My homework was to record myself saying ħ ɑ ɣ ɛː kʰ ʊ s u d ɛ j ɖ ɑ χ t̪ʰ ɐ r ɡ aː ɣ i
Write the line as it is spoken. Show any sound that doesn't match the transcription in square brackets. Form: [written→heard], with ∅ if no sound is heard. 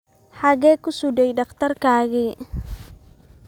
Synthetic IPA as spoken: ħ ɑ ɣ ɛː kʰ ʊ s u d ɛ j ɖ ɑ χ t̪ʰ ɐ r [ɡ→k] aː ɣ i